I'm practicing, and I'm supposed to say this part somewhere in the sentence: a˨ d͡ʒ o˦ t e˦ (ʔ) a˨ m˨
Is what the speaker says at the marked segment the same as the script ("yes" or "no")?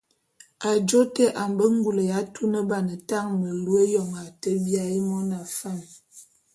yes